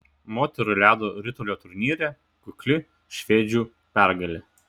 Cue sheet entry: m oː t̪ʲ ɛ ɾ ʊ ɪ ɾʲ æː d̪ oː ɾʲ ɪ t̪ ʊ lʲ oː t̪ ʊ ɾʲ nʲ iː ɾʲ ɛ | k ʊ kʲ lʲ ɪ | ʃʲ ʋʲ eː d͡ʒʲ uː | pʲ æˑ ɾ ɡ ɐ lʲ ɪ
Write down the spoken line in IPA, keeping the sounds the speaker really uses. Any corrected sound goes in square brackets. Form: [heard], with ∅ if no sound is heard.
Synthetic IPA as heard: m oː t̪ʲ ɛ ɾ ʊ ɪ [lʲ] æː d̪ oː ɾʲ ɪ t̪ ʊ lʲ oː t̪ ʊ ɾʲ nʲ iː ɾʲ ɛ | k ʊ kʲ lʲ ɪ | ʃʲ ʋʲ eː d͡ʒʲ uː | pʲ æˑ ɾ ɡ ɐ lʲ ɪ